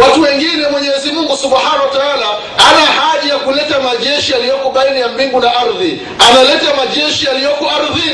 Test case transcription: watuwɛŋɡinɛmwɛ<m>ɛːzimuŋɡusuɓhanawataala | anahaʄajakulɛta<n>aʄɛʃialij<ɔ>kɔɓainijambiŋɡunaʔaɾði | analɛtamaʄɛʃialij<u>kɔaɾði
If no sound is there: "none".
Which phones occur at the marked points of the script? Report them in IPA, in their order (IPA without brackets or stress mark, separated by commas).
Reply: ɲ, m, ɔ, ɔ